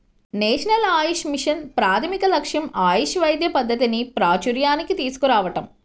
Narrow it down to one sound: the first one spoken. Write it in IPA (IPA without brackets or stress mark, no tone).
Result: n